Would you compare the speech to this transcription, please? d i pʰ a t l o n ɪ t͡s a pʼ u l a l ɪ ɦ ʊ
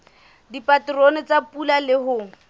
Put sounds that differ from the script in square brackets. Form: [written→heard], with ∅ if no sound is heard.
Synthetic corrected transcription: d i [pʰ→p] a t [l→r] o n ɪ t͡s a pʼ u l a l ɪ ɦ ʊ